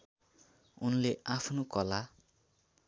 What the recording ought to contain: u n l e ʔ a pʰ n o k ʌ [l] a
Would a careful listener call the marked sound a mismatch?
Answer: no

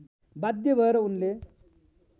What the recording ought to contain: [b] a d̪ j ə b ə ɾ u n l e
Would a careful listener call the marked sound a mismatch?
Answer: no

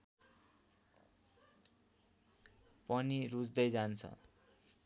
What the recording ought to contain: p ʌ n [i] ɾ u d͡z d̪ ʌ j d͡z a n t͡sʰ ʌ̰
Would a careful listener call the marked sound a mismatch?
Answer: no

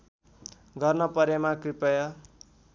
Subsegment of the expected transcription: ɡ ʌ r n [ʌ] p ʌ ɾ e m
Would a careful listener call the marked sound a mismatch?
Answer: no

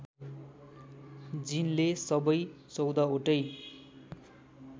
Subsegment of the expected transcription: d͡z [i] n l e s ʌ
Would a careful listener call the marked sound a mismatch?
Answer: no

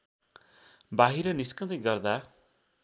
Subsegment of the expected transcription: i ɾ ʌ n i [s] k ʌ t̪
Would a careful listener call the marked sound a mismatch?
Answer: no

